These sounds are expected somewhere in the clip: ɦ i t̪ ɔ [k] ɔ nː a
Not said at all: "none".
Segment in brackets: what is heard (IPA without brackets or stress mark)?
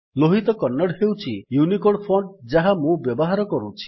k